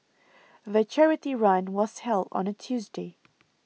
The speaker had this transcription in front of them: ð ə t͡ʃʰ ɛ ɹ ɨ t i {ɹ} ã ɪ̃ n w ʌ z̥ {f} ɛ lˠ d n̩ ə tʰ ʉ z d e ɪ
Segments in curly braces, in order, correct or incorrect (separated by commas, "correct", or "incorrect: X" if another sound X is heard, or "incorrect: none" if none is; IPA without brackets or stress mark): correct, incorrect: h